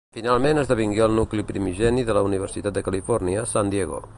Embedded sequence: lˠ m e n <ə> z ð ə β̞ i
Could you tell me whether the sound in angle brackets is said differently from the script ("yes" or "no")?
no